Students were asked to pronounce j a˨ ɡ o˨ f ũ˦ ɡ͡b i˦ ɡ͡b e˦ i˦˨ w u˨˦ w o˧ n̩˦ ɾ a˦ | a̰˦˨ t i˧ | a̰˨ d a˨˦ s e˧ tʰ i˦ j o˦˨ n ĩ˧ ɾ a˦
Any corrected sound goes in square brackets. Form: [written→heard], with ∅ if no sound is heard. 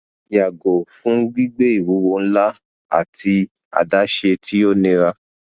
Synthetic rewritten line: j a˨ ɡ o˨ f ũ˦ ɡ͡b i˦ ɡ͡b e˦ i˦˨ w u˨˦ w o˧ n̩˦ [ɾ→l] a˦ | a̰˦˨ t i˧ | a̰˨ d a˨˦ [s→ʃ] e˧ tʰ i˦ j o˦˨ n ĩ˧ ɾ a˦